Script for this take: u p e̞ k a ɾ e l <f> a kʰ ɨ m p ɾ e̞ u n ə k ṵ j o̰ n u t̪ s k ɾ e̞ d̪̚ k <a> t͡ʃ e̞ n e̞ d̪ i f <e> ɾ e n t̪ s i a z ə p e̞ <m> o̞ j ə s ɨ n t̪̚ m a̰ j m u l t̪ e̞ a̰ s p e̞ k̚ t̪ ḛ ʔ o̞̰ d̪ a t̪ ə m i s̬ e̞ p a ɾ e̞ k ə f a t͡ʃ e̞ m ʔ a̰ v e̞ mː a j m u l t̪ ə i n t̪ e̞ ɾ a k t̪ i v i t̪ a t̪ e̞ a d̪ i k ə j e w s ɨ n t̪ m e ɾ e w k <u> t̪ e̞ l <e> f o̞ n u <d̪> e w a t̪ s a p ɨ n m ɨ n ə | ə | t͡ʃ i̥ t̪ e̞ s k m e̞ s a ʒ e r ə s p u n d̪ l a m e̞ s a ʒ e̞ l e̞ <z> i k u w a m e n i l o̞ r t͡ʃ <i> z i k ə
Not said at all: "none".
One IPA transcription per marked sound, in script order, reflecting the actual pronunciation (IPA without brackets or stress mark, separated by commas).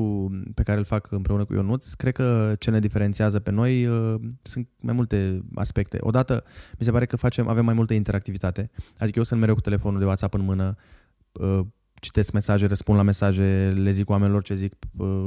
f, ə, e, n, u, e, d̪, z, e